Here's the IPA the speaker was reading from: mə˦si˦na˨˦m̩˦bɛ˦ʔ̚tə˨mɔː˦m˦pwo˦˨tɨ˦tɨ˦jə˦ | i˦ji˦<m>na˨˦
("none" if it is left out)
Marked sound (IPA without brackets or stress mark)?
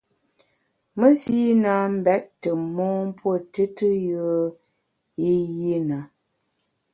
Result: none